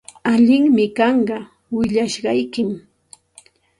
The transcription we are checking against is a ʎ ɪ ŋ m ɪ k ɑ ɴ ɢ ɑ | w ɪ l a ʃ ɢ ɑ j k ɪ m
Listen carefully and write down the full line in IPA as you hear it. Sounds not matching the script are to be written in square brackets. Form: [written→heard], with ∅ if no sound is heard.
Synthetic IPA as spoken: a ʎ ɪ ŋ m ɪ k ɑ ɴ ɢ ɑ | w ɪ [l→ʎ] a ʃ ɢ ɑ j k ɪ m